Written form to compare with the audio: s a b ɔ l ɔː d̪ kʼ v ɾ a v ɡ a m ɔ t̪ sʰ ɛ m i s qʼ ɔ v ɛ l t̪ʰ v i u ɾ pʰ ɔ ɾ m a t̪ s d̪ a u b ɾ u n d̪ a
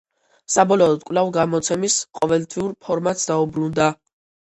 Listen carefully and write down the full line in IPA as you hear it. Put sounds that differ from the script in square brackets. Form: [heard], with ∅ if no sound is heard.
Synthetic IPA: s a b ɔ l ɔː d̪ kʼ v [l] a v ɡ a m ɔ t̪ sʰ ɛ m i s qʼ ɔ v ɛ l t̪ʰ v i u ɾ pʰ ɔ ɾ m a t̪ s d̪ a u b ɾ u n d̪ a